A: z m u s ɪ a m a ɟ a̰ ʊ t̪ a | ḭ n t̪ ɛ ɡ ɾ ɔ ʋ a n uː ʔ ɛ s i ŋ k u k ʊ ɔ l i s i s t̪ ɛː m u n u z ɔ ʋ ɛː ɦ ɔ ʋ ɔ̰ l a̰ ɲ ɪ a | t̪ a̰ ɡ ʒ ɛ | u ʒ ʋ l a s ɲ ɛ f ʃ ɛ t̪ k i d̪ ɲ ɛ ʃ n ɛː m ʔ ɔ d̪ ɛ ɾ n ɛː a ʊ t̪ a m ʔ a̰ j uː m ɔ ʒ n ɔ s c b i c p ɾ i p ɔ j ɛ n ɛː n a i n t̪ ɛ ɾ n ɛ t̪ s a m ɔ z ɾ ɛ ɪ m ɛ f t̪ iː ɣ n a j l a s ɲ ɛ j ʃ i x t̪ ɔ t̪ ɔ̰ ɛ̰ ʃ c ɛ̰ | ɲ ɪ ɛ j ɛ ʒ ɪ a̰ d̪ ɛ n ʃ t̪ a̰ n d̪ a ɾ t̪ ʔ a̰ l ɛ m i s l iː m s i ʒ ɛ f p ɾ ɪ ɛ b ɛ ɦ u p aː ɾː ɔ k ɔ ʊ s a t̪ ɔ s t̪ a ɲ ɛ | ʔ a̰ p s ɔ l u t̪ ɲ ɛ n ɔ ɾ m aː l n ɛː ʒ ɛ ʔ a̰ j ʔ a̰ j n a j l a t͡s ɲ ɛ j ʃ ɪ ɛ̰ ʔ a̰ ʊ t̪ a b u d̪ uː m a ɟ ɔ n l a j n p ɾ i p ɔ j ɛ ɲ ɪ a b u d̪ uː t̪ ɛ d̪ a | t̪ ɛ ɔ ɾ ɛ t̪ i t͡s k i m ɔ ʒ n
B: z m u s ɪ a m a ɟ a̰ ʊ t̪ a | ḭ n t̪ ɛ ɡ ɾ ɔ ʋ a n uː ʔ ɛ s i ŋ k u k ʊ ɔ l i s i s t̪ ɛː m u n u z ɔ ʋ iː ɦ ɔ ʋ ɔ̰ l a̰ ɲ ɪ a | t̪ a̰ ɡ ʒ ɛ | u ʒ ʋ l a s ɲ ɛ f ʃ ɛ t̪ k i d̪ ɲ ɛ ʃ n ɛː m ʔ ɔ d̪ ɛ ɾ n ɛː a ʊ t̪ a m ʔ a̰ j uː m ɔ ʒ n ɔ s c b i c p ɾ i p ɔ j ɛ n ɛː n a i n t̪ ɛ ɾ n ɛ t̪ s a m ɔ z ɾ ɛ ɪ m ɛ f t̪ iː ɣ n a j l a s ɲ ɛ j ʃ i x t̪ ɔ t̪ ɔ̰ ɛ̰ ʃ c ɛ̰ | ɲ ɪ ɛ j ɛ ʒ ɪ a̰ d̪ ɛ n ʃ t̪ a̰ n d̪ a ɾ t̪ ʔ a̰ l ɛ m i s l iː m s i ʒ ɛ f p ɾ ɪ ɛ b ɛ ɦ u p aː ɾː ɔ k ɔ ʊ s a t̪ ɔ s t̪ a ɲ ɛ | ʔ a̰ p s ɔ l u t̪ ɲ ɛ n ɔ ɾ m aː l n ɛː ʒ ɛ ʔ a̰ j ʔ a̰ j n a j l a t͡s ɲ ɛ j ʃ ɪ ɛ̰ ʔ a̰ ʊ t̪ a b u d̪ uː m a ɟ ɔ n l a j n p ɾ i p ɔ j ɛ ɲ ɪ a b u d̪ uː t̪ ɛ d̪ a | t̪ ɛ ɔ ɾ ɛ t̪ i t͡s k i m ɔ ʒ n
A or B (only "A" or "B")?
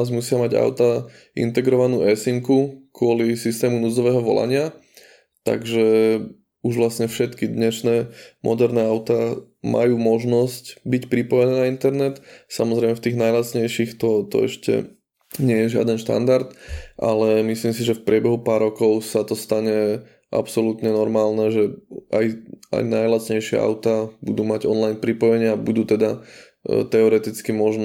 A